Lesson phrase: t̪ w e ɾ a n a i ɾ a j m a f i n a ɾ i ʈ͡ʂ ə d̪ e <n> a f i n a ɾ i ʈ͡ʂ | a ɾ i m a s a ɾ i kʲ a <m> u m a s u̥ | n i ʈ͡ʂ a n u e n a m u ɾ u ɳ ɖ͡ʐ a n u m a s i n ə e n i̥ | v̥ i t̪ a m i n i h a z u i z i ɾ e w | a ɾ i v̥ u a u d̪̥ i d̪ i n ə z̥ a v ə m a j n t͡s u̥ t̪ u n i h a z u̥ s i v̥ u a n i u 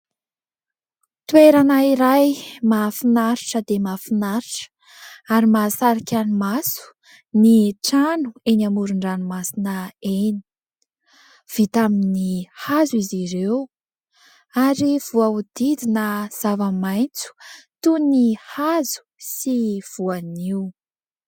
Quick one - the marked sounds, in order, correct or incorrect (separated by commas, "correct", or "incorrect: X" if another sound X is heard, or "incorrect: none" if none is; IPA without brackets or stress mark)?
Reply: incorrect: m, incorrect: n